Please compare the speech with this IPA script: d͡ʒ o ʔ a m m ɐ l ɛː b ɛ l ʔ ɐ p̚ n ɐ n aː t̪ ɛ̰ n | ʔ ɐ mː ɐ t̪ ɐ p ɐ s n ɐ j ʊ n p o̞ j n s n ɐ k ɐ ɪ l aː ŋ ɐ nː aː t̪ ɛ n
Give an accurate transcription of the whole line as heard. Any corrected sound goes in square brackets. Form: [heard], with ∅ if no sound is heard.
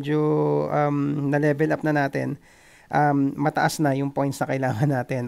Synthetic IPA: d͡ʒ o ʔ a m [n] ɐ l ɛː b ɛ l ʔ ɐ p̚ n ɐ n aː t̪ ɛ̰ n | ʔ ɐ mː ɐ t̪ ɐ [ʔ] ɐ s n ɐ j ʊ [ŋ] p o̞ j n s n ɐ k ɐ ɪ l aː ŋ ɐ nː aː t̪ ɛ n